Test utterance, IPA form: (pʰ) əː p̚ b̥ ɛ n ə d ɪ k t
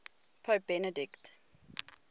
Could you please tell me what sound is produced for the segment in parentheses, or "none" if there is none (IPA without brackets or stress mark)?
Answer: pʰ